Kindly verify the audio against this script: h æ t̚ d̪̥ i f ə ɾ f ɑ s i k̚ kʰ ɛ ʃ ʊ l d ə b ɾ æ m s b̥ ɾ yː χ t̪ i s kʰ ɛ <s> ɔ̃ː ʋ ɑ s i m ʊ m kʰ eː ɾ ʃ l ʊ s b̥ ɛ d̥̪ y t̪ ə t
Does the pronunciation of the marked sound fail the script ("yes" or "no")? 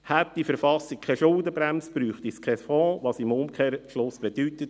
yes